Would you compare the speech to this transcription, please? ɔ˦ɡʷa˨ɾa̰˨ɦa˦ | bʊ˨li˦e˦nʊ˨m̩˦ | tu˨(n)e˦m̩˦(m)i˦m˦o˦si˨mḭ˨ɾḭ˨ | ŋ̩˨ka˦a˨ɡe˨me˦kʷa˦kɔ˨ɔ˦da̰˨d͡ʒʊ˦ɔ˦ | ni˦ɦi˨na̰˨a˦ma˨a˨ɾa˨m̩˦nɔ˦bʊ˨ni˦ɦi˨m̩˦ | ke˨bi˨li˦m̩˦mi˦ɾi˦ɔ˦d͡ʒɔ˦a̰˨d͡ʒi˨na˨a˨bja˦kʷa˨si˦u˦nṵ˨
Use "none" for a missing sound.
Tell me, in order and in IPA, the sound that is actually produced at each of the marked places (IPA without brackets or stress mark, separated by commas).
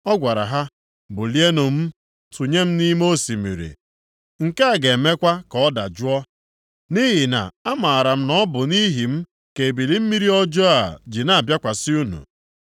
ɲ, n